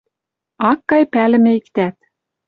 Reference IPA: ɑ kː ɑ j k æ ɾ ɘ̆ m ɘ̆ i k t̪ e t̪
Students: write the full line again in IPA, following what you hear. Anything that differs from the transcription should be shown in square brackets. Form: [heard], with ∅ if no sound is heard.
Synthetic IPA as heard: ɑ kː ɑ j [p] æ [l] ɘ̆ m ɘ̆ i k t̪ [æ] t̪